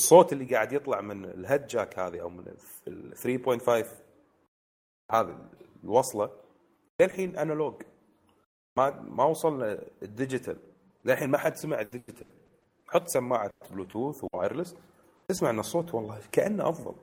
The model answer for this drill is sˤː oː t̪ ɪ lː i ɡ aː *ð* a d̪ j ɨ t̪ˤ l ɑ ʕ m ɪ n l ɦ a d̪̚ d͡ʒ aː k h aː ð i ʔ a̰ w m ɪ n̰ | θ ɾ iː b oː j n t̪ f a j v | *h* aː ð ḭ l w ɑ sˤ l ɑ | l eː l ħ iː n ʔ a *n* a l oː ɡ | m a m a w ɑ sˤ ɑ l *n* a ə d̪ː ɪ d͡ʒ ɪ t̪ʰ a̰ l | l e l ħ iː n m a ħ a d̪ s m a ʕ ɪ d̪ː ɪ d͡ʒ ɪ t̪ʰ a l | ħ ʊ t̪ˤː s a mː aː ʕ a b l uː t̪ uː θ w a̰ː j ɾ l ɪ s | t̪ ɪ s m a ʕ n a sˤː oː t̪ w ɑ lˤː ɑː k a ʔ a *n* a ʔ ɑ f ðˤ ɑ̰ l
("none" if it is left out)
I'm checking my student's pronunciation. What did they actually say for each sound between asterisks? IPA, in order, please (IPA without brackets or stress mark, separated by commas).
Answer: ʕ, h, n, n, nː